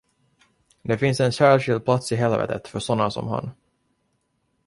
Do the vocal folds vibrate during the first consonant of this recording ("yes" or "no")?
yes